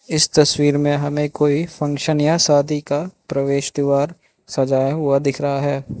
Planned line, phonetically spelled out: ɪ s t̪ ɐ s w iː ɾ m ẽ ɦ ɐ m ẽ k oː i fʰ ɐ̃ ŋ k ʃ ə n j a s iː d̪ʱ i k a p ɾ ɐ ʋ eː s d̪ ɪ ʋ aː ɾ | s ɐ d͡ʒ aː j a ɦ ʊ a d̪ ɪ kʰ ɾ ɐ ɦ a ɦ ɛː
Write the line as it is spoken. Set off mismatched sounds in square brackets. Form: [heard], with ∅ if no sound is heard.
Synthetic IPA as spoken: ɪ s t̪ ɐ s w iː ɾ m ẽ ɦ ɐ m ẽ k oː i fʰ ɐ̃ ŋ k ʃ ə n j a s [aː] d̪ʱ i k a p ɾ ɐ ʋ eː [ʃ] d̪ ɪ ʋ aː ɾ | s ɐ d͡ʒ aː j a ɦ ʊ a d̪ ɪ kʰ ɾ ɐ ɦ a ɦ ɛː